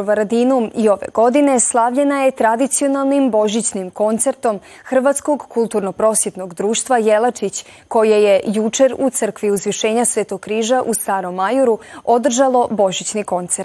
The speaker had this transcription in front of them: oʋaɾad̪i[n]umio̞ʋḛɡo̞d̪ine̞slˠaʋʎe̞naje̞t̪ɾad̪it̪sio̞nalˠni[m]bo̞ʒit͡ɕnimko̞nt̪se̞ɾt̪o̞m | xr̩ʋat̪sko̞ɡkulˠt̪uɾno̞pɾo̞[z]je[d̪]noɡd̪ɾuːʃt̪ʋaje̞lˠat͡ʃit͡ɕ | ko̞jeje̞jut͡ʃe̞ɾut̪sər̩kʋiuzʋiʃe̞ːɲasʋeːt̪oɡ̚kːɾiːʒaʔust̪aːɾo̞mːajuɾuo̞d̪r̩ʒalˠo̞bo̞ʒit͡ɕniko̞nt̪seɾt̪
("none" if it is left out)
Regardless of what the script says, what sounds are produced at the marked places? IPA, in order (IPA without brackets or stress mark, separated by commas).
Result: n, m, s, t̪